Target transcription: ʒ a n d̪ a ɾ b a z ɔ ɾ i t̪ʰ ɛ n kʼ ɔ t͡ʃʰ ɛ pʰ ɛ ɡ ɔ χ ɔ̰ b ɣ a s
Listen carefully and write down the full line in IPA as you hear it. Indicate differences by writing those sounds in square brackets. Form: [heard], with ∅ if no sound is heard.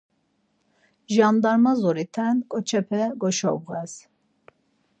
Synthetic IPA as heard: ʒ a n d̪ a ɾ [m] a z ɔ ɾ i t̪ʰ ɛ n kʼ ɔ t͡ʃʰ ɛ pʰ ɛ ɡ ɔ [ʃ] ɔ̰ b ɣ [ɛ] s